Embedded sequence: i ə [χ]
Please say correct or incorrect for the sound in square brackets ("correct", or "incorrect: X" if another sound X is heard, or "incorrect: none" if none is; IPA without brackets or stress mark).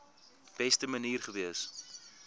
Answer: incorrect: s